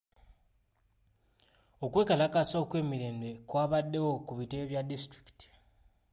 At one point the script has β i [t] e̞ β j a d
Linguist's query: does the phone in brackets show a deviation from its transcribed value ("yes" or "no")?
no